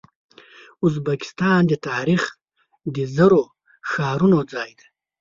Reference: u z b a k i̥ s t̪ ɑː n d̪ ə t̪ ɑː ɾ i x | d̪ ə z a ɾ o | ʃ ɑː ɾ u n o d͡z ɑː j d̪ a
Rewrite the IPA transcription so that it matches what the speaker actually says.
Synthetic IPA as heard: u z b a k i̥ s t̪ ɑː n d̪ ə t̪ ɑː ɾ i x | d̪ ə z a ɾ o | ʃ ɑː ɾ u n o d͡z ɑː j d̪ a